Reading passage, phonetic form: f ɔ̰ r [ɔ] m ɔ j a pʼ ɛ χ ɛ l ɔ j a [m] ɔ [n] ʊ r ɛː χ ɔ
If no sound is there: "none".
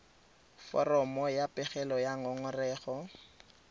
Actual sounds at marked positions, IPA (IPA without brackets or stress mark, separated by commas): ɔ, ŋ, ŋ